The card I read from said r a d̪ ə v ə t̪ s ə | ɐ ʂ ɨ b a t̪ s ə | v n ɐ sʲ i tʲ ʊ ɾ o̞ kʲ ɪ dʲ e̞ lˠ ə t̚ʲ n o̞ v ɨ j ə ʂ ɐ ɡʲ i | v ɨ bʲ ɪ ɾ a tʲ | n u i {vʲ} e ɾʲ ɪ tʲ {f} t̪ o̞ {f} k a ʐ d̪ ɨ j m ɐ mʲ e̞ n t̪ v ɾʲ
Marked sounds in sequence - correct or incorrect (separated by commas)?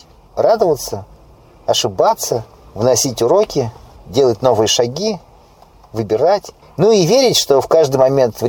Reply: correct, incorrect, correct